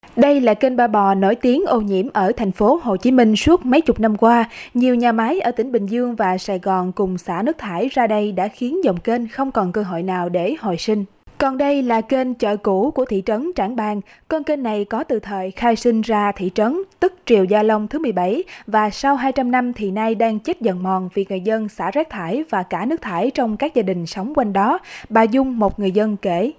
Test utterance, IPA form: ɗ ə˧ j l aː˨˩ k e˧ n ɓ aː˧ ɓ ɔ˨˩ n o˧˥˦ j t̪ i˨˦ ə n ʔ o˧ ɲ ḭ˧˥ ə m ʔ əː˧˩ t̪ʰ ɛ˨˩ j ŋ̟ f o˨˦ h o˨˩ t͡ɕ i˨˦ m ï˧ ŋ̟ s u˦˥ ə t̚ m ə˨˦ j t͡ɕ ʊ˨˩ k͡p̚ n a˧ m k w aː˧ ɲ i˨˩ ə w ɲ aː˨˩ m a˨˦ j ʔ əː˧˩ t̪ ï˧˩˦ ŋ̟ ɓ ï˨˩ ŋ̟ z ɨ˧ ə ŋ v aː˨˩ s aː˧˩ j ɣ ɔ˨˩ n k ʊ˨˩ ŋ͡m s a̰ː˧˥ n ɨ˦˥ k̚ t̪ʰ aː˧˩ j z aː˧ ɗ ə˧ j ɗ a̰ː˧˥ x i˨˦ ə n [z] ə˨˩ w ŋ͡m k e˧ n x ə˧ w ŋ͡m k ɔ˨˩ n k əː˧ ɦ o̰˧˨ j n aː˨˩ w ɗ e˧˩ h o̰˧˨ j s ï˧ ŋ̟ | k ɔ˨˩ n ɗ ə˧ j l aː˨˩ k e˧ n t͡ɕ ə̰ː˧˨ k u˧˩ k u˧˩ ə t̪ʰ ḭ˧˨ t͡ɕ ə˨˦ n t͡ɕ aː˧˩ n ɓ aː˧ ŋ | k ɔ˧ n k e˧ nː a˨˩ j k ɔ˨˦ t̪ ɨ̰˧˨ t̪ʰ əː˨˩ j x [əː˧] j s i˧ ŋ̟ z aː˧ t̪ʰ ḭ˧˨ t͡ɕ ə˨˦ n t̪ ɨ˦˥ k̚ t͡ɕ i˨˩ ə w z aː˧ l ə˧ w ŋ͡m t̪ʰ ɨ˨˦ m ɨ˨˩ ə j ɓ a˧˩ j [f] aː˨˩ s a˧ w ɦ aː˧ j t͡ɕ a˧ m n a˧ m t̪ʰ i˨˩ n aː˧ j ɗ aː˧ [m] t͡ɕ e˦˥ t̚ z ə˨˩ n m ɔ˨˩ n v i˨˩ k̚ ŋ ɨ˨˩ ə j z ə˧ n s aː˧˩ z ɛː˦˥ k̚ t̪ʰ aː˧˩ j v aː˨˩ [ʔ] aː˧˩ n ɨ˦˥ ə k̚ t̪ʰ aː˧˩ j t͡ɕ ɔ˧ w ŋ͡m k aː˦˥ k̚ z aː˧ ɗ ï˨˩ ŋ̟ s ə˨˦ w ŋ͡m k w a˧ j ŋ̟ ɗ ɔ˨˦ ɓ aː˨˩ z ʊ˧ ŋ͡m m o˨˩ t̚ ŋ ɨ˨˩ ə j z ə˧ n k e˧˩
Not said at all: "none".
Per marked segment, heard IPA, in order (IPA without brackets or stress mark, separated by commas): z, aː˧, v, ŋ, k